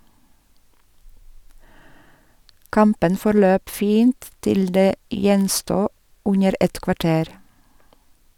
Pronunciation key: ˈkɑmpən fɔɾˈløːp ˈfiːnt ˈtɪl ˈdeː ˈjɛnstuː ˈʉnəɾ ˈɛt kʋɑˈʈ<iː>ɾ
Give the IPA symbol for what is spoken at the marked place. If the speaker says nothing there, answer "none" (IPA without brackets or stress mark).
eː